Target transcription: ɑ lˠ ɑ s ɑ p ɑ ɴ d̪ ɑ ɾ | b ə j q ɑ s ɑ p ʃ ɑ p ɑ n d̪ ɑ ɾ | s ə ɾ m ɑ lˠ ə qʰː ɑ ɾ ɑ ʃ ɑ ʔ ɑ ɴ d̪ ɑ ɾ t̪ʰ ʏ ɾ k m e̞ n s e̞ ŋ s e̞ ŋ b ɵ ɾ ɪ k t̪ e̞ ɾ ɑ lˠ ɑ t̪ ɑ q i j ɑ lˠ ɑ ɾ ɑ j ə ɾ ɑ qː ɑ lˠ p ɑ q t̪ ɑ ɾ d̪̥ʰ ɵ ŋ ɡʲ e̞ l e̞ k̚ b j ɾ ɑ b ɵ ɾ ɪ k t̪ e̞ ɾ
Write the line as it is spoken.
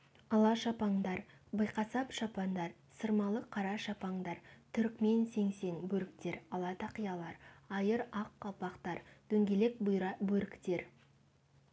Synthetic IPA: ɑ lˠ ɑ ʃ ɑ p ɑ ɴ d̪ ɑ ɾ | b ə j q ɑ s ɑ p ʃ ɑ p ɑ n d̪ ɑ ɾ | s ə ɾ m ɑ lˠ ə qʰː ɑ ɾ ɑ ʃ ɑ p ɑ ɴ d̪ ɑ ɾ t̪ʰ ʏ ɾ k m e̞ n s e̞ ŋ s e̞ ŋ b ɵ ɾ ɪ k t̪ e̞ ɾ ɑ lˠ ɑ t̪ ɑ q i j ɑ lˠ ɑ ɾ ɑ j ə ɾ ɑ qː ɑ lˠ p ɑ q t̪ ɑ ɾ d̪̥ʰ ɵ ŋ ɡʲ e̞ l e̞ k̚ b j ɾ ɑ b ɵ ɾ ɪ k t̪ e̞ ɾ